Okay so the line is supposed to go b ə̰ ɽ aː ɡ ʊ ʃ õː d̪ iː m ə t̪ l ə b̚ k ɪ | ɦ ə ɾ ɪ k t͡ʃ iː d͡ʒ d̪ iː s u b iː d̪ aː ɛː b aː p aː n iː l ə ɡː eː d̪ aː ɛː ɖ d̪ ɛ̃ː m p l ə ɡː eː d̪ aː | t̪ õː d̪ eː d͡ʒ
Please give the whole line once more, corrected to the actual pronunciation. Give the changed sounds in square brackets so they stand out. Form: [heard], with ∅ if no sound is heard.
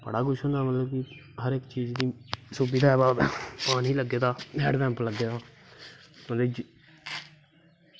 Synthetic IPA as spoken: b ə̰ ɽ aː ɡ ʊ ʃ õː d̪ [aː] m ə t̪ l ə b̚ k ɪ | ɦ ə ɾ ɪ k t͡ʃ iː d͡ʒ d̪ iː s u b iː d̪ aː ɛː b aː p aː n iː l ə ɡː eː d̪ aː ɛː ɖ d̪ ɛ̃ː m p l ə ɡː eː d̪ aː | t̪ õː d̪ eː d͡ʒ